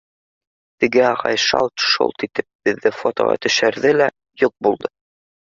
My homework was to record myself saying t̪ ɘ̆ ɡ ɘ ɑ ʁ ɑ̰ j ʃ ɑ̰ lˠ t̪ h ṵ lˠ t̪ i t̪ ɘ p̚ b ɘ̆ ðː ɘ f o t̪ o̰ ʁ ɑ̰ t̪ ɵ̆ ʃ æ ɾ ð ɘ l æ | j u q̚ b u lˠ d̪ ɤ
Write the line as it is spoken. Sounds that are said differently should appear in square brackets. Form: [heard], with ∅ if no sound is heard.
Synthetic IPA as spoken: t̪ ɘ̆ ɡ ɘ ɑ ʁ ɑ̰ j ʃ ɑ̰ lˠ t̪ [ʃ] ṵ lˠ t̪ i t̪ ɘ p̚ b ɘ̆ ðː ɘ f o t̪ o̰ ʁ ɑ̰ t̪ ɵ̆ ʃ æ ɾ ð ɘ l æ | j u q̚ b u lˠ d̪ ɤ